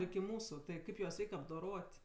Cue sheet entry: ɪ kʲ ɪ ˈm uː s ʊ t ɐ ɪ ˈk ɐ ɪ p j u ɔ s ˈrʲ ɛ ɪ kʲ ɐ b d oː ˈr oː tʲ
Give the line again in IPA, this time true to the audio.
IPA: ɪ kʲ ɪ ˈm uː s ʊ t ɐ ɪ ˈk ɐ ɪ p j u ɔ s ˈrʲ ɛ ɪ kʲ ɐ b d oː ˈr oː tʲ